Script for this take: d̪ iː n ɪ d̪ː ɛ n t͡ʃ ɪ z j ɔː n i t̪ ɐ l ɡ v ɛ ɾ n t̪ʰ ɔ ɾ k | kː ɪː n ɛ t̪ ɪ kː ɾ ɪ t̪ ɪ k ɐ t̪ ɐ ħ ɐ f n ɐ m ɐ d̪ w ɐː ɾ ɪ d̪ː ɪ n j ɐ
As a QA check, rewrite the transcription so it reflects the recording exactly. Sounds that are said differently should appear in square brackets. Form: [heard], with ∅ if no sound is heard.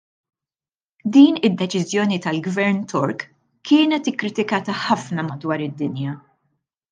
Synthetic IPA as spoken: d̪ iː n ɪ d̪ː ɛ [∅] t͡ʃ ɪ z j ɔː n i t̪ ɐ l ɡ v ɛ ɾ n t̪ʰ ɔ ɾ k | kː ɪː n ɛ t̪ ɪ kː ɾ ɪ t̪ ɪ k [ɐː] t̪ ɐ ħ ɐ f n ɐ m ɐ d̪ w ɐː ɾ ɪ d̪ː ɪ n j ɐ